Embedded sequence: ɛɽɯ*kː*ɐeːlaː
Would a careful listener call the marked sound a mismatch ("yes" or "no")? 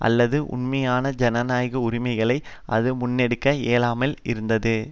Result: no